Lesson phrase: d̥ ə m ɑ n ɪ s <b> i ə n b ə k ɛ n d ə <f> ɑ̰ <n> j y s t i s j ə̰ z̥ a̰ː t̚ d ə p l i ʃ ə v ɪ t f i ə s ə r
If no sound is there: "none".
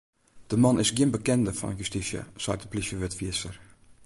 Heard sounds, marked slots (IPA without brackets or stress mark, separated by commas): ɡ, f, n